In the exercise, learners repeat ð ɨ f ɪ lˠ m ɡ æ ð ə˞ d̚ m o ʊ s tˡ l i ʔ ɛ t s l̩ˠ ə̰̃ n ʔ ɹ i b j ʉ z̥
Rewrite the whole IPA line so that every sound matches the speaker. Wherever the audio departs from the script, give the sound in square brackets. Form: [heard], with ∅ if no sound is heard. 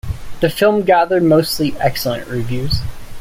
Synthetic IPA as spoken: ð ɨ f ɪ lˠ m ɡ æ ð ə˞ d̚ m o ʊ s tˡ l i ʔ ɛ [k] s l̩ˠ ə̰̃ n ʔ ɹ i [v] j ʉ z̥